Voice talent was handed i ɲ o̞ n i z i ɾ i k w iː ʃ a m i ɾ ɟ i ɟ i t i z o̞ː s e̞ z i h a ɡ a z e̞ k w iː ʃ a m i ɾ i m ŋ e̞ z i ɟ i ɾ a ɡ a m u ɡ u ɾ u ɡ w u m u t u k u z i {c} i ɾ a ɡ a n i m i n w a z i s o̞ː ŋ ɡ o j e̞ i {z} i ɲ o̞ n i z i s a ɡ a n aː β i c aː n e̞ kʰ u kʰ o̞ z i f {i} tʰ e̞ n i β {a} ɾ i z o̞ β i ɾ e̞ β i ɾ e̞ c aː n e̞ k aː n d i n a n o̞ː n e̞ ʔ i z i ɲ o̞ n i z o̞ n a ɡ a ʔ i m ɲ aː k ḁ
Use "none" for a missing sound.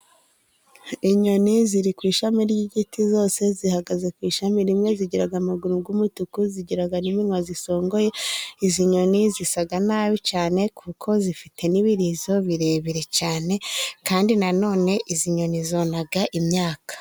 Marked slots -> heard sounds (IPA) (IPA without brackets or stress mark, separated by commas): ɟ, z, i, i